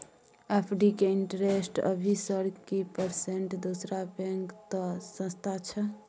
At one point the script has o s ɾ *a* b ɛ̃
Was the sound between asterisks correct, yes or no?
yes